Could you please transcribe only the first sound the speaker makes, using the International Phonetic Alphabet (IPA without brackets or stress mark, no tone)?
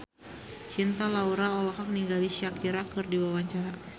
t͡ʃ